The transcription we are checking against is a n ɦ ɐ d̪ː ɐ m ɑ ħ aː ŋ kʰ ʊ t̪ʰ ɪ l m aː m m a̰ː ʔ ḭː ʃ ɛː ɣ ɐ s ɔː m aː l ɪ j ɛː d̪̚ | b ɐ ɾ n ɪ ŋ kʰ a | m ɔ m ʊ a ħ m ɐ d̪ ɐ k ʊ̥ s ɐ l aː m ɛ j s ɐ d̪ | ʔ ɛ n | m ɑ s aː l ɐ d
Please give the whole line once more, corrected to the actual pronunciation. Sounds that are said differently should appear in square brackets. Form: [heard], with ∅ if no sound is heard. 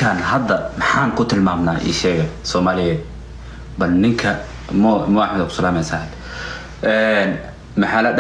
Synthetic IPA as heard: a n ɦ ɐ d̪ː ɐ m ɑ ħ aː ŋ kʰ ʊ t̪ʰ ɪ l m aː m [n] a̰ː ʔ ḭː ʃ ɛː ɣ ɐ s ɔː m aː l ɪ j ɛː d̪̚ | b ɐ [l] n ɪ ŋ kʰ [ɐ] | m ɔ m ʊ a ħ m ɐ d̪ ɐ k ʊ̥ s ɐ l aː m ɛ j s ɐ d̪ | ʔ ɛ n | m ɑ [ħ] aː l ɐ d